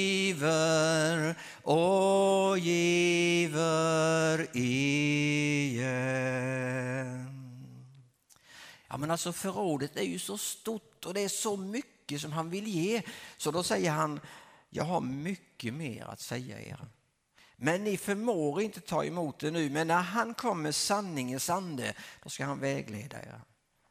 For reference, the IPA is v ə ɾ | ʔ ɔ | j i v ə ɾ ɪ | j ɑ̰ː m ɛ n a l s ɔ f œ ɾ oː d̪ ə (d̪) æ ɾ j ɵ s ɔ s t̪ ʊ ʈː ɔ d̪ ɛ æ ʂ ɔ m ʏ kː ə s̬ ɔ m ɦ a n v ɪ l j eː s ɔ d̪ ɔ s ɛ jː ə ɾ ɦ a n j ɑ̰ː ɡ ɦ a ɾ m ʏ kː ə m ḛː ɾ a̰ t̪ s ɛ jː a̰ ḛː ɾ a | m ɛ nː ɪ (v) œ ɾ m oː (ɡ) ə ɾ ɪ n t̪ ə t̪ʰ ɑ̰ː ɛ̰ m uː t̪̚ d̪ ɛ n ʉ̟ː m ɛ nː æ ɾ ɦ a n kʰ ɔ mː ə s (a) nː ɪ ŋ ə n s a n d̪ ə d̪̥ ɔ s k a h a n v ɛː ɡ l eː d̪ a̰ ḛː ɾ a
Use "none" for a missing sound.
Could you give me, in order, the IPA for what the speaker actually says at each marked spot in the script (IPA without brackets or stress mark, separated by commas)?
t̪, f, ɡ, a